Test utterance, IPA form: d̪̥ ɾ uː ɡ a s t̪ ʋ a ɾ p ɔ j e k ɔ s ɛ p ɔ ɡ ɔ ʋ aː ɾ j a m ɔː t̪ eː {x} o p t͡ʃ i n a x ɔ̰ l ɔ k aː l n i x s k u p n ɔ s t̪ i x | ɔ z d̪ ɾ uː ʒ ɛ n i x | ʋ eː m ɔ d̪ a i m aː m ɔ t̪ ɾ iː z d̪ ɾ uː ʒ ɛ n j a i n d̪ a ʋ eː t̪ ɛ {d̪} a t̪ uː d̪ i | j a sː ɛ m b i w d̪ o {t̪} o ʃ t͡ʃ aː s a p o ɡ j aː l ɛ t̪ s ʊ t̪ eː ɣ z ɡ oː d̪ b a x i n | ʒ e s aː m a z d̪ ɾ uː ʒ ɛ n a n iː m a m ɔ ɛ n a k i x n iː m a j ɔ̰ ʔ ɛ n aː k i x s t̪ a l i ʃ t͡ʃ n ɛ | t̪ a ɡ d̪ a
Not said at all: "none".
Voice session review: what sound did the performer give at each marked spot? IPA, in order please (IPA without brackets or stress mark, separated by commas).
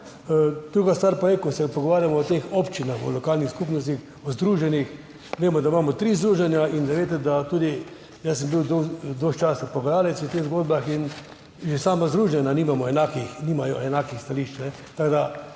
x, d̪, d̪